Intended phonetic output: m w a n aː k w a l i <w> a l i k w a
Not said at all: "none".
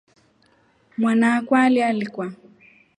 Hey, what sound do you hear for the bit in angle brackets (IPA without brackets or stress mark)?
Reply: none